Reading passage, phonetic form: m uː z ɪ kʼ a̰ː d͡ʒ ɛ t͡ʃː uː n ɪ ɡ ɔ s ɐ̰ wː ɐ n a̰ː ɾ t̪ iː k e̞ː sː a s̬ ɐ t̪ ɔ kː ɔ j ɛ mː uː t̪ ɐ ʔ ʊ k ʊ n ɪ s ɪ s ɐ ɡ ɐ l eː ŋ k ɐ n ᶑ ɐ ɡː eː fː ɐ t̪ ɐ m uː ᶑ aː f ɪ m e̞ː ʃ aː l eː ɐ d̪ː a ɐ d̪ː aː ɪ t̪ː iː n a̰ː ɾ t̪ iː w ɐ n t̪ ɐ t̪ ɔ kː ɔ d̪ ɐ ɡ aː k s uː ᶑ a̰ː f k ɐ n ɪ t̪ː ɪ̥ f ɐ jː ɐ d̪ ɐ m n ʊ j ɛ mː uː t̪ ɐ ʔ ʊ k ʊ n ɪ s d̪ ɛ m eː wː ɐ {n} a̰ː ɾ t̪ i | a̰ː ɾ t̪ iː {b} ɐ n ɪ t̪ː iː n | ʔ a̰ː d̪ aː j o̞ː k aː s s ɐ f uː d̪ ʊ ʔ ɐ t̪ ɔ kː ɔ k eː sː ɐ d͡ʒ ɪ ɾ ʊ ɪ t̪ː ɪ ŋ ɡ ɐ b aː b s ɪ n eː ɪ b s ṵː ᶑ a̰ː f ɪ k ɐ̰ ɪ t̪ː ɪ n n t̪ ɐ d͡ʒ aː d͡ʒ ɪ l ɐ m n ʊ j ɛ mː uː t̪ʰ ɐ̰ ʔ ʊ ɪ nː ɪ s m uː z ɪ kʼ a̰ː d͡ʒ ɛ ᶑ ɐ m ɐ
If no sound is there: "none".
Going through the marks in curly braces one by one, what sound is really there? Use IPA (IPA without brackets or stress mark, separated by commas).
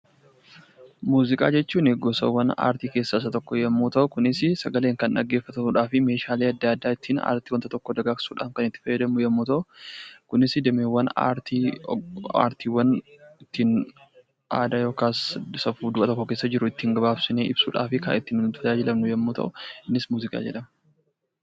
n, w